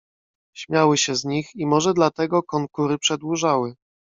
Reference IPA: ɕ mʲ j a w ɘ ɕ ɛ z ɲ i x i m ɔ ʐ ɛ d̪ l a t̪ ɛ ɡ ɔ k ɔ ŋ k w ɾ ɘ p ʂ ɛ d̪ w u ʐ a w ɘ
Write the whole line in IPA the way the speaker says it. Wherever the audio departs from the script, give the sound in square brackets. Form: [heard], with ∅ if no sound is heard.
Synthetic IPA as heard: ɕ mʲ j a w ɘ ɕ ɛ z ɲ i x i m ɔ ʐ ɛ d̪ l a t̪ ɛ ɡ ɔ k ɔ ŋ k [u] ɾ ɘ p ʂ ɛ d̪ w u ʐ a w ɘ